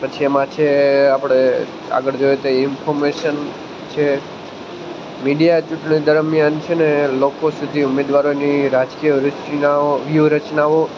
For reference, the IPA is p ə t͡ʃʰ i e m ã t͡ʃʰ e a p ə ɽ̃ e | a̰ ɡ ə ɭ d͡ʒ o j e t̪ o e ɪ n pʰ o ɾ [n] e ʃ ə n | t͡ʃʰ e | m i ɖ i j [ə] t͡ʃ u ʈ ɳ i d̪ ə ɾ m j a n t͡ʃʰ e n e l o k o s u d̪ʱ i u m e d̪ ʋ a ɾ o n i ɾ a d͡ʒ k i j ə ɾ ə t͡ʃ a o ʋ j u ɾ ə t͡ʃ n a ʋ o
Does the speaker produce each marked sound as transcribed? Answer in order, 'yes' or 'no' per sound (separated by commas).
no, no